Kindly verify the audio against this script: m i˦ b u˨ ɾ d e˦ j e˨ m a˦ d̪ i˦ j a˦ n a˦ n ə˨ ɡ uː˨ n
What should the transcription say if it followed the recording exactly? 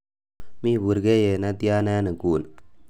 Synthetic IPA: m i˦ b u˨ ɾ ɡ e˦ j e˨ n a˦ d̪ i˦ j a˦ n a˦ n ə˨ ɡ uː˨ n